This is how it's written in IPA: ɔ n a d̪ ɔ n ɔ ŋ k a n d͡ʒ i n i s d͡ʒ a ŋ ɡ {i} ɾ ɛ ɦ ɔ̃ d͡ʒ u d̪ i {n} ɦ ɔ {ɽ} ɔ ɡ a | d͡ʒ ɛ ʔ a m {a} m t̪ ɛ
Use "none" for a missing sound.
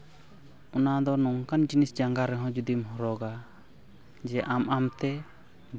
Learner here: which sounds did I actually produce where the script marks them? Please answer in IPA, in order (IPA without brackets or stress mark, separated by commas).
a, m, ɾ, a